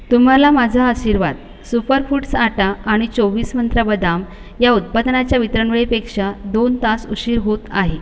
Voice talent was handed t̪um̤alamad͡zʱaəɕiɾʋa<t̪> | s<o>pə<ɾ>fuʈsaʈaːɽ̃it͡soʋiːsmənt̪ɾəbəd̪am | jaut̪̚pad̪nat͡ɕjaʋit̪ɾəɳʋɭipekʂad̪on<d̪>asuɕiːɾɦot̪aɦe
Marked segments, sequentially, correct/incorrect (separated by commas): incorrect, incorrect, correct, incorrect